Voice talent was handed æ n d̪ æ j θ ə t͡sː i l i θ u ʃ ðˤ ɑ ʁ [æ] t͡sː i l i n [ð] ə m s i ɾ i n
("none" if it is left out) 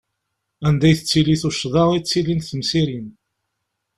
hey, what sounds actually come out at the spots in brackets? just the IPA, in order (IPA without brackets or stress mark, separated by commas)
i, θ